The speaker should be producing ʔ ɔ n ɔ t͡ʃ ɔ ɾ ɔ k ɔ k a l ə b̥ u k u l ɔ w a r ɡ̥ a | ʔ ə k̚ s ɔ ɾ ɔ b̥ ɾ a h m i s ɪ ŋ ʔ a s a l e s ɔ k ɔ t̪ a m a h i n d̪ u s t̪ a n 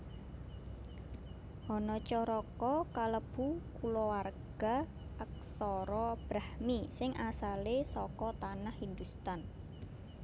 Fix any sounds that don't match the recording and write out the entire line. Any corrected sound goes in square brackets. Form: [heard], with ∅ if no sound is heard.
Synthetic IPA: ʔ ɔ n ɔ t͡ʃ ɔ ɾ ɔ k ɔ k a l ə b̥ u k u l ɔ w a r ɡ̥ a | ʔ ə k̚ s ɔ ɾ ɔ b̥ ɾ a h m i s ɪ ŋ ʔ a s a l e s ɔ k ɔ t̪ a [n] a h i n d̪ u s t̪ a n